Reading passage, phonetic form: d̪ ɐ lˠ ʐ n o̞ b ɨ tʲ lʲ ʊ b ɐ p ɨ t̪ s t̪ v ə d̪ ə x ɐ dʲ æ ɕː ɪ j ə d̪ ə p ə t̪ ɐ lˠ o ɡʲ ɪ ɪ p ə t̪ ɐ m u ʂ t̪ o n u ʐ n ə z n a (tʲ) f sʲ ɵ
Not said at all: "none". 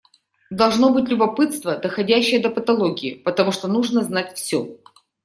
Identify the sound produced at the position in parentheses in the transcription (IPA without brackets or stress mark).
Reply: tʲ